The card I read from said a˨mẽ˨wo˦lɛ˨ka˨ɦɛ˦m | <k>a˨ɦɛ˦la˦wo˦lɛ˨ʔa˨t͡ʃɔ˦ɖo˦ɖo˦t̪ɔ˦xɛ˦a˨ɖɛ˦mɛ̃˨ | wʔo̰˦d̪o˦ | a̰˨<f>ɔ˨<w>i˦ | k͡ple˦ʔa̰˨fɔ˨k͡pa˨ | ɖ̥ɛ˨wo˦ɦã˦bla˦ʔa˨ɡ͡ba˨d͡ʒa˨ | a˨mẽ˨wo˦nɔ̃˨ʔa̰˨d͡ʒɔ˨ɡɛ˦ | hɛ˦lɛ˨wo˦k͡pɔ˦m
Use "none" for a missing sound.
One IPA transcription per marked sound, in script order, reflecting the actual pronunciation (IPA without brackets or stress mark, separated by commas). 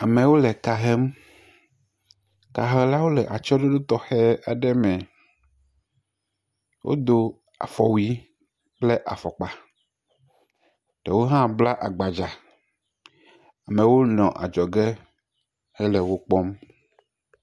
k, f, w